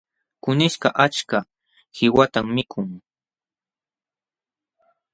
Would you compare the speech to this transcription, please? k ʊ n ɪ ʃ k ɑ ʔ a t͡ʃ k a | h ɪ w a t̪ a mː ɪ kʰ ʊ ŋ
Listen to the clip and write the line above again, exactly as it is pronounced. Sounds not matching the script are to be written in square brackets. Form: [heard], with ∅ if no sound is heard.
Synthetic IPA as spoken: k ʊ n ɪ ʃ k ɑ ʔ a t͡ʃ k a | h ɪ w a t̪ a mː ɪ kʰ ʊ ŋ